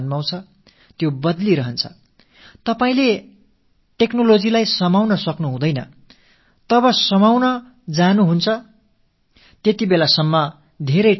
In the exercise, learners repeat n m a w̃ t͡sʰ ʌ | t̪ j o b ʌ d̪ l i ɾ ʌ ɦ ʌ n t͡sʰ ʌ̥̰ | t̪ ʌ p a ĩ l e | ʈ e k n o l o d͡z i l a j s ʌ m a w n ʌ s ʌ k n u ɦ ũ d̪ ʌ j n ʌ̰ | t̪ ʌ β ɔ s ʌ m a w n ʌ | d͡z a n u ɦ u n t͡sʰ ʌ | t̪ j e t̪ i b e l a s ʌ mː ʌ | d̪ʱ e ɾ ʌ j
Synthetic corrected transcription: n m a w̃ t͡sʰ ʌ | t̪ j o b ʌ d̪ l i ɾ ʌ ɦ ʌ n t͡sʰ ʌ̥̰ | t̪ ʌ p a ĩ l e | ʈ e k n o l o d͡z i l a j s ʌ m a w n ʌ s ʌ k n u ɦ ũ d̪ ʌ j n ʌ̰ | t̪ ʌ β ʌ s ʌ m a w n ʌ | d͡z a n u ɦ u n t͡sʰ ʌ | t̪ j e t̪ i b e l a s ʌ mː ʌ | d̪ʱ e ɾ ʌ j